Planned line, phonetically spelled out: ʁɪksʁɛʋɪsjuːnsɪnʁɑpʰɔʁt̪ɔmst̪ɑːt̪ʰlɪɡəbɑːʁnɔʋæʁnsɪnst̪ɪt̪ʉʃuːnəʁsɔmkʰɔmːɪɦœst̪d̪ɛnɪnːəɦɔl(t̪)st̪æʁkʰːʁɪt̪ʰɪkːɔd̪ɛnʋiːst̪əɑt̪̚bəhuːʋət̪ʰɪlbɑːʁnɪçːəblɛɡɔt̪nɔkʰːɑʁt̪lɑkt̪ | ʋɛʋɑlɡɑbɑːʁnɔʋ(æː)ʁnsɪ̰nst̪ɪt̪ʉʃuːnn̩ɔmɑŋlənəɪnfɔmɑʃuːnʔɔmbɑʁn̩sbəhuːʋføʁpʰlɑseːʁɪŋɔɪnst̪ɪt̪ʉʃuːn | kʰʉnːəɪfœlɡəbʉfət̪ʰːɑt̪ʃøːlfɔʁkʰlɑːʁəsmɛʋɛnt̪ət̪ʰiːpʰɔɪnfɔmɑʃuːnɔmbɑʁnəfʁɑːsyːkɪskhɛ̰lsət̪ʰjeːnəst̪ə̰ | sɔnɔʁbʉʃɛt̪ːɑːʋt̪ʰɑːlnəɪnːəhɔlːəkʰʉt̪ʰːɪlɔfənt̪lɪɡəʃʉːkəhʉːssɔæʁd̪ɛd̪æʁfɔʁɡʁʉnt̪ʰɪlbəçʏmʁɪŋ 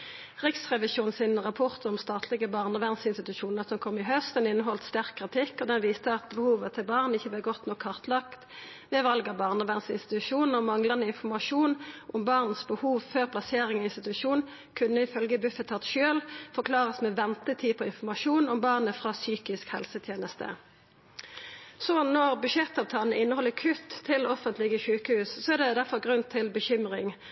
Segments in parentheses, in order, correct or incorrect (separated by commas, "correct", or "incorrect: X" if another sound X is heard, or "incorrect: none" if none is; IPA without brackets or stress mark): correct, incorrect: æ